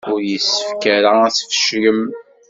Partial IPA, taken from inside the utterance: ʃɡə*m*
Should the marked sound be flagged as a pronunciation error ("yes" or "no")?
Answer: no